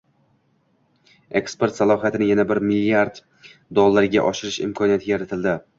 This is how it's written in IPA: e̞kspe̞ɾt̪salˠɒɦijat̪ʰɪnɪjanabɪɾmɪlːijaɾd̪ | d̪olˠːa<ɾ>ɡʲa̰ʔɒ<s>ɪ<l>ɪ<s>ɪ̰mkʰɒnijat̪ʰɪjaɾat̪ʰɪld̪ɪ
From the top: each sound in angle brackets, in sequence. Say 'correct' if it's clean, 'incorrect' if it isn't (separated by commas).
correct, incorrect, incorrect, incorrect